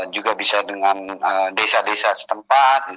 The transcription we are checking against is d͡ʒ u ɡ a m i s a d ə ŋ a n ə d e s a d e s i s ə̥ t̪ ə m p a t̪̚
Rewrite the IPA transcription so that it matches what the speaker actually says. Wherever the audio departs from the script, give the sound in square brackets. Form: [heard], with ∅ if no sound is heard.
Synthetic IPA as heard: d͡ʒ u ɡ a [b] i s a d ə ŋ a n ə d e s a d e s [a] s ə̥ t̪ ə m p a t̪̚